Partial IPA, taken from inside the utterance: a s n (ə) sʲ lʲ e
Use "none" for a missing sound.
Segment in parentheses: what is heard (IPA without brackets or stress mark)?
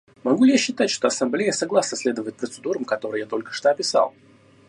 ə